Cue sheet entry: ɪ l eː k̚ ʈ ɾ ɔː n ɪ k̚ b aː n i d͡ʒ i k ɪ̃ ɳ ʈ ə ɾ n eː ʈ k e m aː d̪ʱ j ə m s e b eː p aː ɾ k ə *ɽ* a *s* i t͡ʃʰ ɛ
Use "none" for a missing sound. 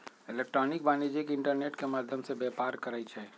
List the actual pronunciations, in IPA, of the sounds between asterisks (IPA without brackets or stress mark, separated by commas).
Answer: ɾ, none